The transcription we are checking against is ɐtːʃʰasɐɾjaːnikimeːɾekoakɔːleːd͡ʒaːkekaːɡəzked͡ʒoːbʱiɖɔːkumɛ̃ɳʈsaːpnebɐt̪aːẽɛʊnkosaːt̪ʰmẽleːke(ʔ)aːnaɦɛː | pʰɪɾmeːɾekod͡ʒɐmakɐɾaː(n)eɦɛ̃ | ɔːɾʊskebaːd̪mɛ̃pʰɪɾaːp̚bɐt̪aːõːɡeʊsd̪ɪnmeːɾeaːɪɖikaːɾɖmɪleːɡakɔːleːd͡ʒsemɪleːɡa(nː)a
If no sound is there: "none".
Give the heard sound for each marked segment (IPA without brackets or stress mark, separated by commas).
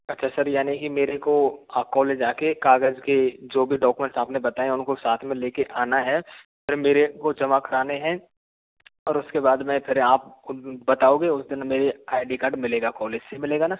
ʔ, n, n